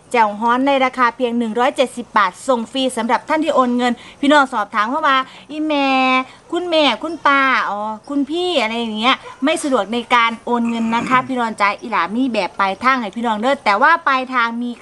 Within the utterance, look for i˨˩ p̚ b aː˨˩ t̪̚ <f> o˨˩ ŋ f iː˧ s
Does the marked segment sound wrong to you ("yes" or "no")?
yes